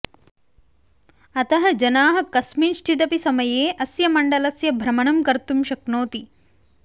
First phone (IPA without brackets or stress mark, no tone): ɐ